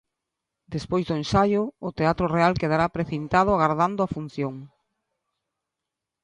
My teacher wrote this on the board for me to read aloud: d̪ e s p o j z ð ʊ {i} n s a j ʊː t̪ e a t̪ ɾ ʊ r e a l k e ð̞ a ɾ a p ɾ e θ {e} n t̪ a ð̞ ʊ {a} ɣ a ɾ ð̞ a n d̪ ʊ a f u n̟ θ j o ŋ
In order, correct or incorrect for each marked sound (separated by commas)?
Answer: incorrect, incorrect, correct